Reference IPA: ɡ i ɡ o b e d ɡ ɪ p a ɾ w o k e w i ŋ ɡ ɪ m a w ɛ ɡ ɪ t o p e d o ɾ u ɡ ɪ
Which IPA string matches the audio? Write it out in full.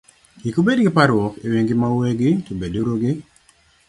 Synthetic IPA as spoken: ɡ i k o b e d ɡ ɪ p a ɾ w ɔ k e w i ŋ ɡ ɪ m a w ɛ ɡ ɪ t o b e d o ɾ o ɡ ɪ

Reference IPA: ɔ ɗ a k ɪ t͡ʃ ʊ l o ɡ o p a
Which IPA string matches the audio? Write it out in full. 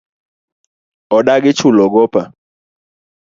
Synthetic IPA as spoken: ɔ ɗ a ɡ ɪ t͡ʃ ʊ l ɔ ɡ ɔ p a

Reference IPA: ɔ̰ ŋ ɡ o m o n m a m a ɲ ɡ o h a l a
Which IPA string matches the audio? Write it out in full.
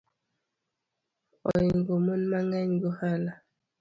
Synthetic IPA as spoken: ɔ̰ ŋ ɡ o m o n m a ŋ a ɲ ɡ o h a l a

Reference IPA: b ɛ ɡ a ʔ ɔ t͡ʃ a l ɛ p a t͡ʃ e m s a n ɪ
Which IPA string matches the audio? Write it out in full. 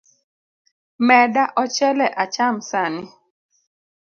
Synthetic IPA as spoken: m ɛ d a ʔ ɔ t͡ʃ ɛ l ɛ ʔ a t͡ʃ a m s a n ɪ

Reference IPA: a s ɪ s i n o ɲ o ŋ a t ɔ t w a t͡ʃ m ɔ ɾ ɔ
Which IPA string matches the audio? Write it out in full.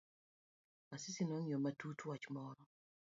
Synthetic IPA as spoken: a s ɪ s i n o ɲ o m a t u t w a t͡ʃ m ɔ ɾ ɔ

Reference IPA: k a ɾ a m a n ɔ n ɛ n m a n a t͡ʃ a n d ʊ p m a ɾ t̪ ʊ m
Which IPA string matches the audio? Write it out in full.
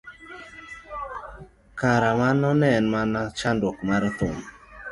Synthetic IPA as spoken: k a ɾ a m a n ɔ n ɛ n m a n a t͡ʃ a n d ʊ k m a ɾ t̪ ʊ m

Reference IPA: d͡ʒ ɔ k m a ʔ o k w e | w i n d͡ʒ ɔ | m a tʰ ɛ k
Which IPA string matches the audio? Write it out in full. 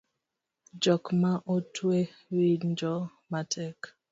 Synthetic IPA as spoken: d͡ʒ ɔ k m a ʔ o t w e | w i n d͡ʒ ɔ | m a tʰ ɛ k

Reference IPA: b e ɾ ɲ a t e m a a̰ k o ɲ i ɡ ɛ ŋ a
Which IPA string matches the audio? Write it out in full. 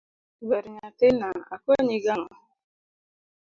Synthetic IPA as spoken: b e ɾ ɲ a t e n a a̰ k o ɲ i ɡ a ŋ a

